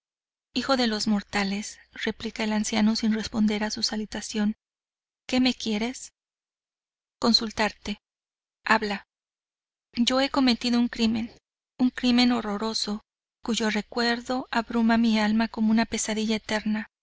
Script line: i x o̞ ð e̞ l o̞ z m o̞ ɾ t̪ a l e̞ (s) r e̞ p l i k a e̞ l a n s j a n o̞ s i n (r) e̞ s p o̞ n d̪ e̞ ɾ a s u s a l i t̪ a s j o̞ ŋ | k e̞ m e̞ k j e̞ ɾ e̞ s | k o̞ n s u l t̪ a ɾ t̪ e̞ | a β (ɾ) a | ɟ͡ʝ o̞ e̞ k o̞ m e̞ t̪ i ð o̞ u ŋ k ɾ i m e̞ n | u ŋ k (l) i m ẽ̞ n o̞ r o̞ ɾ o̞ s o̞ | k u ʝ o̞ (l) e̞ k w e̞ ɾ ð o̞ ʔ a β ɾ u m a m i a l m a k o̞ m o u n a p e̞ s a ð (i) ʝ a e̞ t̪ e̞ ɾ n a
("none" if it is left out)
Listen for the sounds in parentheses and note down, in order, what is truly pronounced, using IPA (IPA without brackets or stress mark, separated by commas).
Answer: s, r, l, ɾ, r, i